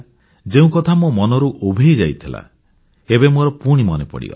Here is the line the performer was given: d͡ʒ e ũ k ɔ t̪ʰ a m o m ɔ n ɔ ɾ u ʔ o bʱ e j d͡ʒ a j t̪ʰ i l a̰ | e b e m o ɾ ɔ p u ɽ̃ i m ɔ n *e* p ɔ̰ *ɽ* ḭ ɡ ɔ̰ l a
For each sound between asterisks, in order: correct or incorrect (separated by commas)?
correct, correct